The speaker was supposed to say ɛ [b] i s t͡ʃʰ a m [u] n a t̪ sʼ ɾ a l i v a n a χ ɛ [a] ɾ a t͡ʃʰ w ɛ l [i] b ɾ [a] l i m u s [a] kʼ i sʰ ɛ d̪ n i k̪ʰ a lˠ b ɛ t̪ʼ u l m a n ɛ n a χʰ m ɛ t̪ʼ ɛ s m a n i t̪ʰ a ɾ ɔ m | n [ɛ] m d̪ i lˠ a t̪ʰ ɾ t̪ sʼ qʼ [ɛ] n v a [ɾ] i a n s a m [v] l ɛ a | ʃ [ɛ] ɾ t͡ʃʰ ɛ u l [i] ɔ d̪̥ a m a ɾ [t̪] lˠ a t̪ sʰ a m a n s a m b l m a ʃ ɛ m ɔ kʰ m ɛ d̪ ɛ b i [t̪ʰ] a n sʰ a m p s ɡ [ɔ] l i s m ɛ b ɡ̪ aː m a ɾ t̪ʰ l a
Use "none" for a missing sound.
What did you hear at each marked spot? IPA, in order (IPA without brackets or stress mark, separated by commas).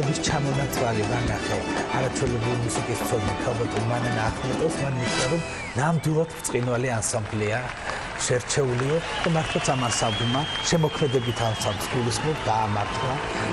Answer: b, ɔ, a, ɛ, i, i, a, i, l, b, ɛ, i, t̪ʰ, t̪ʰ, u